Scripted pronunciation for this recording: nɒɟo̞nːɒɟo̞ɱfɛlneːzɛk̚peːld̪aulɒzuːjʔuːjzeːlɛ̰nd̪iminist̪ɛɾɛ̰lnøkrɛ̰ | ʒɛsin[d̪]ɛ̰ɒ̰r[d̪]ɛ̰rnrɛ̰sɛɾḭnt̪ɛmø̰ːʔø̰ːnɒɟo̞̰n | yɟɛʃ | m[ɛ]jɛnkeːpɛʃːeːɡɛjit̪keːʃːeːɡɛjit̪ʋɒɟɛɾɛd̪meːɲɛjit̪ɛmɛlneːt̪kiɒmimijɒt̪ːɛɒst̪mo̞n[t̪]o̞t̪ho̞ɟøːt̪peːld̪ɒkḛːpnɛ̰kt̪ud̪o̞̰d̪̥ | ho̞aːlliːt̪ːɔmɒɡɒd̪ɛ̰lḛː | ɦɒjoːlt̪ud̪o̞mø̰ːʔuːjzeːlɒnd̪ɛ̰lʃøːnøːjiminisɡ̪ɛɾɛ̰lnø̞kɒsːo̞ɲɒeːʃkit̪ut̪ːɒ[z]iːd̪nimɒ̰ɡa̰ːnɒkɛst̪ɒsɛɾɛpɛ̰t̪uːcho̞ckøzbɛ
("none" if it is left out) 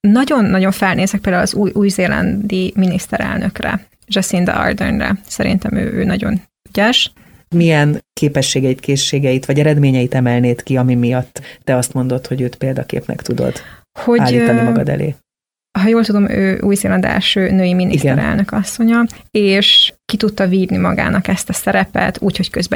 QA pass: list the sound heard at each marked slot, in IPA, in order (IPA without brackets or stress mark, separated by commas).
d̪, d̪, i, d̪, v